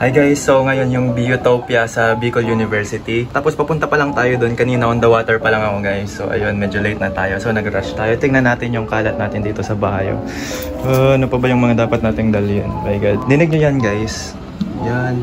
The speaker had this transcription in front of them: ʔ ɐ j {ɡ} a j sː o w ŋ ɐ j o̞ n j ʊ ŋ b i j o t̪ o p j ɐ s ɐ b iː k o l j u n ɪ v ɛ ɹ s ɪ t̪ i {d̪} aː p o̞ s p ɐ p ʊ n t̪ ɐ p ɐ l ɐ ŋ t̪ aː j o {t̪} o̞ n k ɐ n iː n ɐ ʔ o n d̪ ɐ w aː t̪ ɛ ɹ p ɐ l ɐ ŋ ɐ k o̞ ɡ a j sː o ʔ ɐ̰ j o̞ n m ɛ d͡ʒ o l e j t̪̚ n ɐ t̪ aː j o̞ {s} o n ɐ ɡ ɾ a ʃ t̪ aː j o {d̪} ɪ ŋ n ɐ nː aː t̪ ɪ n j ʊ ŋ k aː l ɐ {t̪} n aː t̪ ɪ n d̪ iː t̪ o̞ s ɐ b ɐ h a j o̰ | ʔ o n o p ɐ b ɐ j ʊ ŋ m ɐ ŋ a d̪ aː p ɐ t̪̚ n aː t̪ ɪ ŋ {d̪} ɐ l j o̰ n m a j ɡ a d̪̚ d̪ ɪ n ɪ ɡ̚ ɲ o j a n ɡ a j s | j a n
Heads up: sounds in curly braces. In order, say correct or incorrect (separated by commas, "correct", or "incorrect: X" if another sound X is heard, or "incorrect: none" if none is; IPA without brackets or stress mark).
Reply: correct, incorrect: t̪, incorrect: d̪, correct, incorrect: t̪, correct, correct